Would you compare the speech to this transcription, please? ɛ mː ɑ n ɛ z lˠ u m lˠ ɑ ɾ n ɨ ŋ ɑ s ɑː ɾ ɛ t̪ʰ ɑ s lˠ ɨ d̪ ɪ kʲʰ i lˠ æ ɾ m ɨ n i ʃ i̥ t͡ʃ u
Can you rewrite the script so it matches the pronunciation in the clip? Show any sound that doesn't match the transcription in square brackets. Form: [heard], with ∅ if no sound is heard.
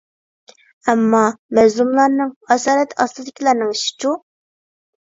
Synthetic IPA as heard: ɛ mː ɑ [m] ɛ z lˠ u m lˠ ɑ ɾ n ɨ ŋ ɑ s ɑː ɾ ɛ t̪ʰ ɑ s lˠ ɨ d̪ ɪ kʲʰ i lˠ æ ɾ [n] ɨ [ŋ] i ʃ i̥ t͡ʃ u